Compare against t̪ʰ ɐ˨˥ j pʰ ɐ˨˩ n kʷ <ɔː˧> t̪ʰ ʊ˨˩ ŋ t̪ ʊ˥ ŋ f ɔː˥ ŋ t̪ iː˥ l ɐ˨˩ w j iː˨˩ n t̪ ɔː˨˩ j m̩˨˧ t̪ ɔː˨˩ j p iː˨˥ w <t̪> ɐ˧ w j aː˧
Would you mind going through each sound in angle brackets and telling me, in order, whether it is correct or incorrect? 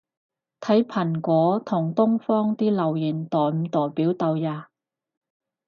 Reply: incorrect: ɔː˨˧˥, correct

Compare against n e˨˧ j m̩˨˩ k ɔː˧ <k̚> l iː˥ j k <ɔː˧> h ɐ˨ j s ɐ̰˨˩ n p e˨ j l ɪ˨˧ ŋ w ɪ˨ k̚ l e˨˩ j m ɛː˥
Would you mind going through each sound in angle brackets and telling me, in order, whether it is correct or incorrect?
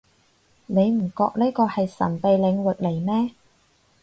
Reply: correct, correct

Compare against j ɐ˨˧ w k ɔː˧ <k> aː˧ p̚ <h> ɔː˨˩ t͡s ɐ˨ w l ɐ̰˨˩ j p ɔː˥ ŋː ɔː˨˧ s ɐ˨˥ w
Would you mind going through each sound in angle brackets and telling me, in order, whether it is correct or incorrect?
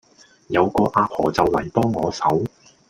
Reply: incorrect: ʔ, correct

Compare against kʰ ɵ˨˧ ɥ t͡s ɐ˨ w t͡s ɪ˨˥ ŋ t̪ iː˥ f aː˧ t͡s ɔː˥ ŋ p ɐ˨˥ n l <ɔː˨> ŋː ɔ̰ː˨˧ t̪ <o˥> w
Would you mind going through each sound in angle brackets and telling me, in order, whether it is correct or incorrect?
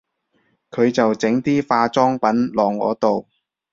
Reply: correct, incorrect: o˨

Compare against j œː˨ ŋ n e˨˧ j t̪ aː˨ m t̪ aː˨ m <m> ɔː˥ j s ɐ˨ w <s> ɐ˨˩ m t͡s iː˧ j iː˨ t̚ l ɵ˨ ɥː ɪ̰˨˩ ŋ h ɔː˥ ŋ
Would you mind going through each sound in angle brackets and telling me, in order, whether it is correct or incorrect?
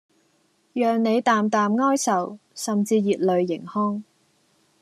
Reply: incorrect: ŋ, correct

